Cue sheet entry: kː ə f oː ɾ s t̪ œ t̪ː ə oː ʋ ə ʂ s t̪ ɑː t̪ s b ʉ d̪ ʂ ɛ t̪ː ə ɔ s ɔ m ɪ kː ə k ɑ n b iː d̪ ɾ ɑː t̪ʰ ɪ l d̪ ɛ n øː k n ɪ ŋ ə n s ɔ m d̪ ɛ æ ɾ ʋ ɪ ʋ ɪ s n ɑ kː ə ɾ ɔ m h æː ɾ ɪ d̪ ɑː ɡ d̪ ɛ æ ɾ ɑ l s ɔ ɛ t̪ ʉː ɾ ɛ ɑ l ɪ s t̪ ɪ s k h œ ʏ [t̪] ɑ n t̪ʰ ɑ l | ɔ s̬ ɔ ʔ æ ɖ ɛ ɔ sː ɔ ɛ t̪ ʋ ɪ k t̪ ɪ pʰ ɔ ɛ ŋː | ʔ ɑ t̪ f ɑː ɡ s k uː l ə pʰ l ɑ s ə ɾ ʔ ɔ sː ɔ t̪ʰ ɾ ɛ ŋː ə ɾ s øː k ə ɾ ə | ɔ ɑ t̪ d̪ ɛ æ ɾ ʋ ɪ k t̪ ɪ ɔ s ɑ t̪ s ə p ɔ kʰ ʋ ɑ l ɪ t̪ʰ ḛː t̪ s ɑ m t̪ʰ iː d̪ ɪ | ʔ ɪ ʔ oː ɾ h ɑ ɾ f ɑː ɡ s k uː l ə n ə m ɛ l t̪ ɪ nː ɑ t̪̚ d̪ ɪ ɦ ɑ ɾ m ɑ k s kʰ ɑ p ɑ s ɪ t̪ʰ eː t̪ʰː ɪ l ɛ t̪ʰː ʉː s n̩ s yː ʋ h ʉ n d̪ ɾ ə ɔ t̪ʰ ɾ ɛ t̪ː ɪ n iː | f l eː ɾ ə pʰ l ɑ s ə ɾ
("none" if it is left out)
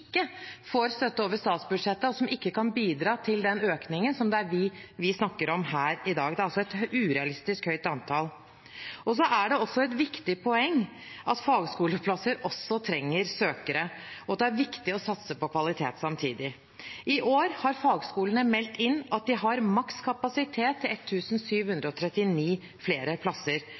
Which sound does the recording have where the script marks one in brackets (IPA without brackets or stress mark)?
t̪